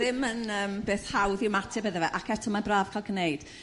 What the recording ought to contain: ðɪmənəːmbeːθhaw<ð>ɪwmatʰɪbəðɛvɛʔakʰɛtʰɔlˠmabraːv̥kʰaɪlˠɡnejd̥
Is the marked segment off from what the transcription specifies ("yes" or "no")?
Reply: no